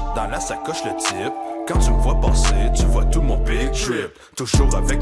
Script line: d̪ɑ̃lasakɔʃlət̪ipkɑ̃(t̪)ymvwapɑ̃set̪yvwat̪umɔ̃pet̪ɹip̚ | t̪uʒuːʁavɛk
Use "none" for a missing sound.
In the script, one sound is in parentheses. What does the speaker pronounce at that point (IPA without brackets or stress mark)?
t̪